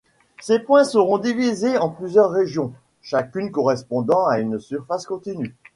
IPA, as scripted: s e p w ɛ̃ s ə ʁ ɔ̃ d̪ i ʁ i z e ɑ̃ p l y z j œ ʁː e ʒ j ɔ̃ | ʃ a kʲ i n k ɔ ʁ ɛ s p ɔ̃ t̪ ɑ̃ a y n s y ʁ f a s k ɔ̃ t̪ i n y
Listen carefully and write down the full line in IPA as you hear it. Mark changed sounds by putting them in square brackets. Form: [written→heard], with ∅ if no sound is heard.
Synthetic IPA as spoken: s e p w ɛ̃ s ə ʁ ɔ̃ d̪ i [ʁ→v] i z e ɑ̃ p l y z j œ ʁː e ʒ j ɔ̃ | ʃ a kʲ [i→y] n k ɔ ʁ ɛ s p ɔ̃ [t̪→d̪] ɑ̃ a y n s y ʁ f a s k ɔ̃ t̪ i n y